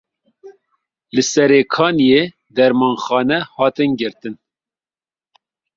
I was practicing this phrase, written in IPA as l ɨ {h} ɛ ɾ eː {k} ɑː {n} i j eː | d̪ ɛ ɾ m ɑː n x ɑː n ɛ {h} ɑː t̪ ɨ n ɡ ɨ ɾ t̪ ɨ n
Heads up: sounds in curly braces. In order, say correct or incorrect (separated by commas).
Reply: incorrect, incorrect, correct, correct